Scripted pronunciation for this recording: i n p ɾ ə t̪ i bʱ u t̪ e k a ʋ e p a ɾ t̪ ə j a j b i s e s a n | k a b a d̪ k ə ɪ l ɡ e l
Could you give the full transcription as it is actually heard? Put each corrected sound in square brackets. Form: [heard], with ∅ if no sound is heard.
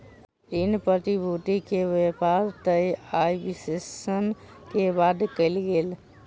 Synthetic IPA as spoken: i n p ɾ ə t̪ i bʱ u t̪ [i] k [e] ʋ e p a ɾ t̪ ə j a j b i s e s [ə] n | k [e] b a d̪ k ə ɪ l ɡ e l